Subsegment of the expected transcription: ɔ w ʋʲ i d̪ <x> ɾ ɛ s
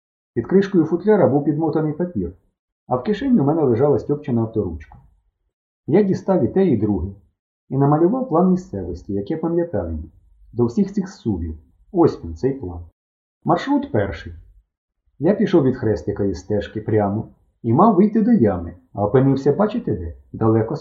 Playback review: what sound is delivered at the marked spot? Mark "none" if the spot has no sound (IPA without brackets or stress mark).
x